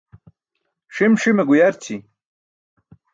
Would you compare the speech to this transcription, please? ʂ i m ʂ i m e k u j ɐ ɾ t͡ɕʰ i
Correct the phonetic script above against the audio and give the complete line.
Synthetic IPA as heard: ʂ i m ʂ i m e ɡ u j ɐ ɾ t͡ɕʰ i